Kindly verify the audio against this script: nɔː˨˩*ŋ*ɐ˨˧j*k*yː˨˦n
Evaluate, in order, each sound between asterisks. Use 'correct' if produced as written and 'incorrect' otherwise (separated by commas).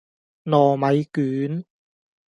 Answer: incorrect, correct